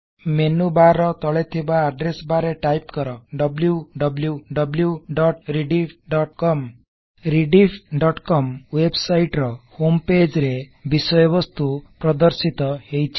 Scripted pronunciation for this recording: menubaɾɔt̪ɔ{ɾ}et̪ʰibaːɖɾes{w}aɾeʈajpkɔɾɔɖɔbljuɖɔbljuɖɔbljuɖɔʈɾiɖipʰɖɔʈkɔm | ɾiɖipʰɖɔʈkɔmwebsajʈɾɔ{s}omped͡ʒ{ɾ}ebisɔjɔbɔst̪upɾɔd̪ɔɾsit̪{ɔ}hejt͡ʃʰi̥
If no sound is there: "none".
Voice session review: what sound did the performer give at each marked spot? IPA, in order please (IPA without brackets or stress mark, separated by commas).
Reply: ɭ, b, h, ɾ, ɔ